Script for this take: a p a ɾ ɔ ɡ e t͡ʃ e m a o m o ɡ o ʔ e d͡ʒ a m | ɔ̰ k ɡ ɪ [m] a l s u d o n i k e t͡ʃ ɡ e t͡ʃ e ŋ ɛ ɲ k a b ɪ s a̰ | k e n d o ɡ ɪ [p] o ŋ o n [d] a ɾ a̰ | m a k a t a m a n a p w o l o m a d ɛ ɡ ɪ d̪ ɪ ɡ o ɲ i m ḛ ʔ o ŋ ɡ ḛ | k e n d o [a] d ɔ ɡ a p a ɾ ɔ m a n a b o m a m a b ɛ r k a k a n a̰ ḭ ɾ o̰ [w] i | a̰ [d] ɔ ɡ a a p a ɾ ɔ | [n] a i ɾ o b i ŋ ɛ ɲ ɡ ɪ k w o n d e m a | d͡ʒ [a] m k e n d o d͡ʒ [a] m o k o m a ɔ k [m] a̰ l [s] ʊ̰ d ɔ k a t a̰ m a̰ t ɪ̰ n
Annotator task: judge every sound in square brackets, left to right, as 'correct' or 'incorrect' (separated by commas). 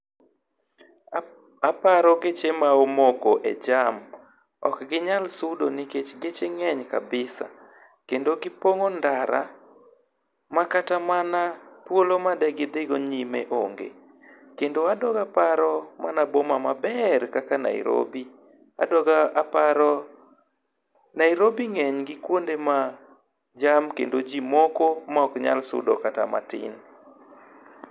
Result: incorrect, correct, correct, correct, incorrect, correct, correct, correct, incorrect, incorrect, correct